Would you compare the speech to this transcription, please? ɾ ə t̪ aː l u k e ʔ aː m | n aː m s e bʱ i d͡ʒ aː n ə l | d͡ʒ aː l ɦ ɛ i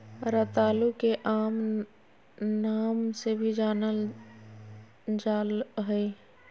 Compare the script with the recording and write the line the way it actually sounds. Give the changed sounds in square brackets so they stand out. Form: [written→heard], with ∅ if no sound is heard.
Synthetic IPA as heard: ɾ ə t̪ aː l u k e ʔ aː m | n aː m s e bʱ i d͡ʒ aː n ə l | d͡ʒ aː l ɦ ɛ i